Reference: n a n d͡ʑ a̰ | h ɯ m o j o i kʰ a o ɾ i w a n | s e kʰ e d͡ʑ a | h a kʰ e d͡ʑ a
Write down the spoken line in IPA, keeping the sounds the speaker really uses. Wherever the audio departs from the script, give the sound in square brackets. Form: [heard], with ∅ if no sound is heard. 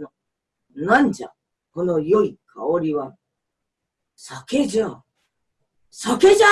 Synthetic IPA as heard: n a n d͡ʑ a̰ | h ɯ [n] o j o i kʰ a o ɾ i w a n | s [a] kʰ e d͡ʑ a | [s] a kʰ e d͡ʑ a